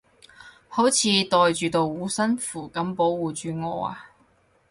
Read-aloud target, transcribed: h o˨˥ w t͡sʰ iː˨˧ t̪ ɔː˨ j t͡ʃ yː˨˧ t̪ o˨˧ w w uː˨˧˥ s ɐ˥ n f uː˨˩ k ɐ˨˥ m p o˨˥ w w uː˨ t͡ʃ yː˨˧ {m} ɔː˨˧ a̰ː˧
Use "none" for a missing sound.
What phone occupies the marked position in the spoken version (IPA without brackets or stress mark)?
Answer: ŋ